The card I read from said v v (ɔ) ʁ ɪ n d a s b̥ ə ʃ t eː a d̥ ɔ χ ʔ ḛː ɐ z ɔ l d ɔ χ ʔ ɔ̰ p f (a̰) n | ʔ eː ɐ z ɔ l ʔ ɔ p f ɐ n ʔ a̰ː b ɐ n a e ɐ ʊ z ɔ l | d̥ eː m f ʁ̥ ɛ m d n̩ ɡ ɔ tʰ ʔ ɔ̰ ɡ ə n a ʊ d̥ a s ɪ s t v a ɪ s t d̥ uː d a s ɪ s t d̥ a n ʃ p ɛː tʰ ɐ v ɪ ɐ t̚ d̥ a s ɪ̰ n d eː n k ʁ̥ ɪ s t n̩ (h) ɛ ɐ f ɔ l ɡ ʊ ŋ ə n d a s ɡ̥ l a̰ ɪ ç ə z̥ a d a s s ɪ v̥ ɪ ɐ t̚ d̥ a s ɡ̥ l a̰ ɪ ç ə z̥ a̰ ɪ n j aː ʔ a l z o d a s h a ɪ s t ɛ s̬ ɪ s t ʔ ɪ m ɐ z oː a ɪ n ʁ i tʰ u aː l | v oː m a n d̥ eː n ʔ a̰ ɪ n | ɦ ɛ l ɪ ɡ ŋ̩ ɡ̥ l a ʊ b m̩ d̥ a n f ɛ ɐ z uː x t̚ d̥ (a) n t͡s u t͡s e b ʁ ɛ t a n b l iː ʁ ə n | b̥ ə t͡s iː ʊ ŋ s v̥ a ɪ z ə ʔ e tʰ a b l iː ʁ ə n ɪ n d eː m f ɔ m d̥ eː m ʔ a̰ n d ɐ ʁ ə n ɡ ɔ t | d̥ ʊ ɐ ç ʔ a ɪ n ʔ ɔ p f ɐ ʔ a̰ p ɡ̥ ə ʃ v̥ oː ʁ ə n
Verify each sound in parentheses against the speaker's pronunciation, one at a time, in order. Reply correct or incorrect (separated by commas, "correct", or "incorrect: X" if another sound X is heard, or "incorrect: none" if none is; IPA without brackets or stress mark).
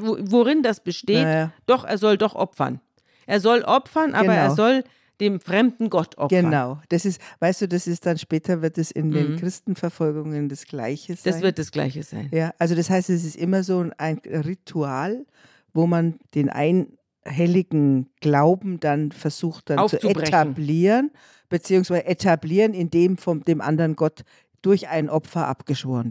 incorrect: o, incorrect: ɐ̰, incorrect: f, correct